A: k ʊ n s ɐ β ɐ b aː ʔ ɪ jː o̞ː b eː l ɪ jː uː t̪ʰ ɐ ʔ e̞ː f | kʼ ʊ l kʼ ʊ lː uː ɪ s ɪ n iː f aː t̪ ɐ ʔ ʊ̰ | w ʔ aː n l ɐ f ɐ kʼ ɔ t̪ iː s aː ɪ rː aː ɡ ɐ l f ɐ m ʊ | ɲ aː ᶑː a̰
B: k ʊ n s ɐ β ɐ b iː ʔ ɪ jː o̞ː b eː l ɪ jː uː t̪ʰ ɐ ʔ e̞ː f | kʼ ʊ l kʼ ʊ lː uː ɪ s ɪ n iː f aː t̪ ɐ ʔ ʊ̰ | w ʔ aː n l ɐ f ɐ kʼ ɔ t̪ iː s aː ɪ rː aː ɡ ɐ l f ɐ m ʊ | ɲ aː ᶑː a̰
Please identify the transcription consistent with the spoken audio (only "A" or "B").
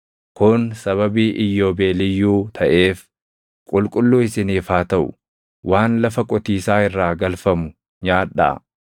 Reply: B